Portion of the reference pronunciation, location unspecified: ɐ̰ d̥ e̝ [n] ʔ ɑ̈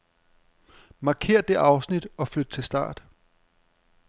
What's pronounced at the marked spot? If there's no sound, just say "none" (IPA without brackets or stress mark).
none